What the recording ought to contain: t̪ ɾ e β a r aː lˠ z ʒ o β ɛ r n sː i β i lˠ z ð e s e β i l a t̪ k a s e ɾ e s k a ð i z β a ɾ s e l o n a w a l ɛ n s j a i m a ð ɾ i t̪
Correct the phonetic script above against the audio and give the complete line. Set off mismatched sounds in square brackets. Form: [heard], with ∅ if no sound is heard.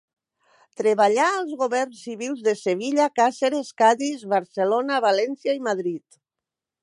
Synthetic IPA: t̪ ɾ e β a [ʎ] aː lˠ z [ɣ] o β ɛ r n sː i β i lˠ z ð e s e β i [ʎ] a [∅] k a s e ɾ e s k a ð i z β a ɾ s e l o n a [β] a l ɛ n s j a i m a ð ɾ i t̪